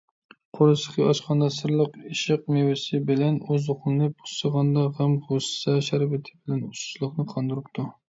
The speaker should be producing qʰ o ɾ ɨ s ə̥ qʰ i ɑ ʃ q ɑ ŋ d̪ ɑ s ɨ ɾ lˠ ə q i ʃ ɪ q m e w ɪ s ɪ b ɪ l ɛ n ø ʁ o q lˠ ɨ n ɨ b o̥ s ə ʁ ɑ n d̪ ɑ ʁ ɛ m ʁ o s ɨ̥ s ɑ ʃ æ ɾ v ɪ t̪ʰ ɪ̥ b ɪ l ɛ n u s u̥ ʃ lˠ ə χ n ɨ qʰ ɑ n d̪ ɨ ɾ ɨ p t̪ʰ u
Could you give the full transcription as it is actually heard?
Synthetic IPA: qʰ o ɾ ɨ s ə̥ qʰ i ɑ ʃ q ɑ n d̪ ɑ s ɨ ɾ lˠ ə q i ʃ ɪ q m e w ɪ s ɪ b ɪ l ɛ n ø z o q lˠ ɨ n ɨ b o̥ s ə ʁ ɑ n d̪ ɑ ʁ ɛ m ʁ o s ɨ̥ s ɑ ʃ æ ɾ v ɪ t̪ʰ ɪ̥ b ɪ l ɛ n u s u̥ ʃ lˠ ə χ n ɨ qʰ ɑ n d̪ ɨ ɾ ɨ p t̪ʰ u